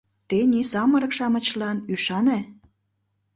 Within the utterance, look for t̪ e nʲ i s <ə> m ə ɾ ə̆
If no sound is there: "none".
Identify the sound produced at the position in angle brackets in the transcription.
ɑ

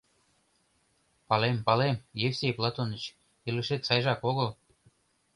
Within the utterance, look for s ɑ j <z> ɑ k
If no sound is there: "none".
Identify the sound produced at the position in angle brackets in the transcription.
ʒ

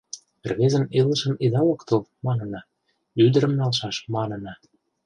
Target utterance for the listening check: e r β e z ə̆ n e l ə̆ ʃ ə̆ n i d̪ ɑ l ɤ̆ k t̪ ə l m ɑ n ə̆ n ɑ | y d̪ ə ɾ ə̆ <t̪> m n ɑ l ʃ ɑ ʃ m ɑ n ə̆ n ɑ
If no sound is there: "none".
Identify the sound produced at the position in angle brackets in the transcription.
none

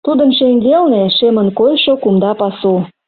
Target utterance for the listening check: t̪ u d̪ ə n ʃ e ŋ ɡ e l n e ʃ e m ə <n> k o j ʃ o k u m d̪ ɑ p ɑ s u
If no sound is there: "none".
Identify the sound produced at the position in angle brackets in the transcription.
n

